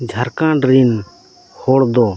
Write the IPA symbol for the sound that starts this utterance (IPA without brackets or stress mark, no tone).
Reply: d͡ʒʱ